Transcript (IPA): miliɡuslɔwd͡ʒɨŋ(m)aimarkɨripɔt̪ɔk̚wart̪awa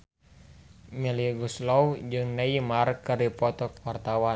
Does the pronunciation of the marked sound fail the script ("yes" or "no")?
yes